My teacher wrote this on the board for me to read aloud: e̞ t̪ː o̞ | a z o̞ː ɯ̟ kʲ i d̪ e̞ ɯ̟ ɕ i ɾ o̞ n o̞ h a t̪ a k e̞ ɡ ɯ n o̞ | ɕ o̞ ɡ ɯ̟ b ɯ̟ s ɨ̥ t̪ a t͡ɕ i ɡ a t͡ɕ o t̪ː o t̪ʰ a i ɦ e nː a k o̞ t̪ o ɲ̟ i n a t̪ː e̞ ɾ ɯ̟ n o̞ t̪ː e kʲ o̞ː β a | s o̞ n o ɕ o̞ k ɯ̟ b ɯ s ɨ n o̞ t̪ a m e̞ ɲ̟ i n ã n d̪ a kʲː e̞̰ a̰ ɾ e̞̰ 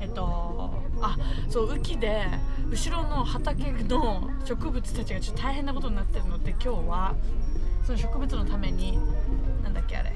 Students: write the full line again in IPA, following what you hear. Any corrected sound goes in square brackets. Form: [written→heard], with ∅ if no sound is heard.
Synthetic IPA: e̞ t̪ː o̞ | a [z→s] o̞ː ɯ̟ kʲ i d̪ e̞ ɯ̟ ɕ i ɾ o̞ n o̞ h a t̪ a k e̞ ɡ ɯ n o̞ | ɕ o̞ [ɡ→k] ɯ̟ b ɯ̟ [s→t͡s] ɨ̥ t̪ a t͡ɕ i ɡ a t͡ɕ o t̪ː o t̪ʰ a i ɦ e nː a k o̞ t̪ o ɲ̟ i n a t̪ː e̞ ɾ ɯ̟ n o̞ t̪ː e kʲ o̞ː β a | s o̞ n o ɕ o̞ k ɯ̟ b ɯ [s→t͡s] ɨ n o̞ t̪ a m e̞ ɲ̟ i n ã n d̪ a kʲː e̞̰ a̰ ɾ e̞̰